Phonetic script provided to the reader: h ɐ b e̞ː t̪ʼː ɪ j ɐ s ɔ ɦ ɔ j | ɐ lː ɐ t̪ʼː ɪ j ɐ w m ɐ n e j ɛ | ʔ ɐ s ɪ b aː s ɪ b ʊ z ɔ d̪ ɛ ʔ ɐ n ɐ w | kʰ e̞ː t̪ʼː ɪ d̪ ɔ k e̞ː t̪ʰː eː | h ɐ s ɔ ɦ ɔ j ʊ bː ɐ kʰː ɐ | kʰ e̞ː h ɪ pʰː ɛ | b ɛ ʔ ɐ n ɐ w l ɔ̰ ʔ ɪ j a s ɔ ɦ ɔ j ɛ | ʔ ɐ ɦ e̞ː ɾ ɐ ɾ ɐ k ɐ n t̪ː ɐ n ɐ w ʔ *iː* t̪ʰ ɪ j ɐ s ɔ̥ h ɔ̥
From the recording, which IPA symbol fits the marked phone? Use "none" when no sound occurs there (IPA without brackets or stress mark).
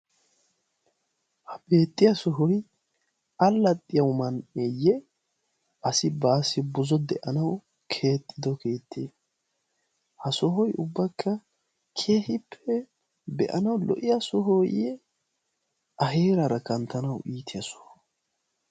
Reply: iː